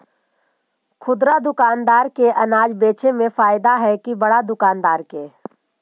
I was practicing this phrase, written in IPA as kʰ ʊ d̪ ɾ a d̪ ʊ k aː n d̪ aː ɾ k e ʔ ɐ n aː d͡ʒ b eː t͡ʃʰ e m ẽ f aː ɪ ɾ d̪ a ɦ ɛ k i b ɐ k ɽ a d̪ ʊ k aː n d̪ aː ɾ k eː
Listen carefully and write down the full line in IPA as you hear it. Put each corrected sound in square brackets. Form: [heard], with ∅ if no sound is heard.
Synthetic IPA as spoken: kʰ ʊ d̪ ɾ a d̪ ʊ k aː n d̪ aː ɾ k e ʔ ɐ n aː d͡ʒ b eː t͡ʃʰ e m ẽ f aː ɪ [∅] d̪ a ɦ ɛ k i b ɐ [∅] ɽ a d̪ ʊ k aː n d̪ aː ɾ k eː